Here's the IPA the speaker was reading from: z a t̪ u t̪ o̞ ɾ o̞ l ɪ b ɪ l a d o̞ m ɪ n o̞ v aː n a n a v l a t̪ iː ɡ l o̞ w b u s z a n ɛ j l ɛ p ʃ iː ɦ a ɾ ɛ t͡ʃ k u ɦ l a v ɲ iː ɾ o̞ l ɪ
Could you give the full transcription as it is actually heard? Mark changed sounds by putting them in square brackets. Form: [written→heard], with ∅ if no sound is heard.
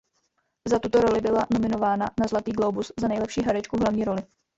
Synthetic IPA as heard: z a t̪ u t̪ o̞ ɾ o̞ l ɪ b ɪ l a [d→n] o̞ m ɪ n o̞ v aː n a n a [v→z] l a t̪ iː ɡ l o̞ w b u s z a n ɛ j l ɛ p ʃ iː ɦ a ɾ ɛ t͡ʃ k u ɦ l a v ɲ iː ɾ o̞ l ɪ